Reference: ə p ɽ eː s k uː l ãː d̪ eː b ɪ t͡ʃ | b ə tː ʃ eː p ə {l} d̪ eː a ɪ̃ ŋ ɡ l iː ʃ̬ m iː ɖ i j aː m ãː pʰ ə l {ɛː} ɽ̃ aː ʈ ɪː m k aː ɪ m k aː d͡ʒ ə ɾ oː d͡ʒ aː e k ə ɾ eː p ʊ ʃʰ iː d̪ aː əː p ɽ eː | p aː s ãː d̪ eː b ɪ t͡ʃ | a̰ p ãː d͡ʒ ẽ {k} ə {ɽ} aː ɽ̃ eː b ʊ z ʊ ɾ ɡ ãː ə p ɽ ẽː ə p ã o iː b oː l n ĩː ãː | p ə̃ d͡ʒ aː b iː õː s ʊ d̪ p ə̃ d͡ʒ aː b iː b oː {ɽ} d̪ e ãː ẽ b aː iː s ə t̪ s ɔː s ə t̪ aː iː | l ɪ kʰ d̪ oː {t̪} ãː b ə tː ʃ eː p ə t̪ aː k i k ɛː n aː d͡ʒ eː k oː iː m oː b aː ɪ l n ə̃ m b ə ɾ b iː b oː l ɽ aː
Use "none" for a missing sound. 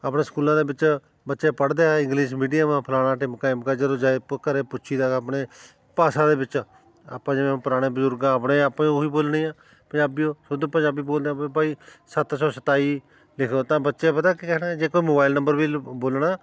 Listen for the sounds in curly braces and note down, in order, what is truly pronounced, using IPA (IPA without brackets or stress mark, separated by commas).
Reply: ɽ, aː, p, ɾ, l, t̪